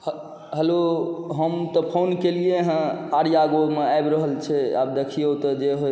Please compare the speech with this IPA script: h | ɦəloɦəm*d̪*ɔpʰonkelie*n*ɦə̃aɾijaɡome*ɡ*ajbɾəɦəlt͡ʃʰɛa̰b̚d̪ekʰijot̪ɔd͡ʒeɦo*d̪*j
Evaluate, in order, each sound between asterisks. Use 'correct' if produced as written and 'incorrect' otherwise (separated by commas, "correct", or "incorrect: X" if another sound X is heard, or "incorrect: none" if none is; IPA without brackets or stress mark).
incorrect: t̪, incorrect: none, incorrect: none, incorrect: none